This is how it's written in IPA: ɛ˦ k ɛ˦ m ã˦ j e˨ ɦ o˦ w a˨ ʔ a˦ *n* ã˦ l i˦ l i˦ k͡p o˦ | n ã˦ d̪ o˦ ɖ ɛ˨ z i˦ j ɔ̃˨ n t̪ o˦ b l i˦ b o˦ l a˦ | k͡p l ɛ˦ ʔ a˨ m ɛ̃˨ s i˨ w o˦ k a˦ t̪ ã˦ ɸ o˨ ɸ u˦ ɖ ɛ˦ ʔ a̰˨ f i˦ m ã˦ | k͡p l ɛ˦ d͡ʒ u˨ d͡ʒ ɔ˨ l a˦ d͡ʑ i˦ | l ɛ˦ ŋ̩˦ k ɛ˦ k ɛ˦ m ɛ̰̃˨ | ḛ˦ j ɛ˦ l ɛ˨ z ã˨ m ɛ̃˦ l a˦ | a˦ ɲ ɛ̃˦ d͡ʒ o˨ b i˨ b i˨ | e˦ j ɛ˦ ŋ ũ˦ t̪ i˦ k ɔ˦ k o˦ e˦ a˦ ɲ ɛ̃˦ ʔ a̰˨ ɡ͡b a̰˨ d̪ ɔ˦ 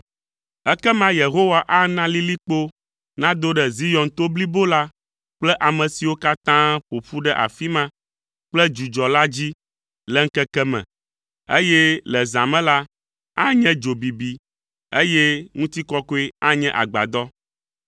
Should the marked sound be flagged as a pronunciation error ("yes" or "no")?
no